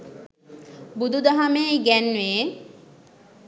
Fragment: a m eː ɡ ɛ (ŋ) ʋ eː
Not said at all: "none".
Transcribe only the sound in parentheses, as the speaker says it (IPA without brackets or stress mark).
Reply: n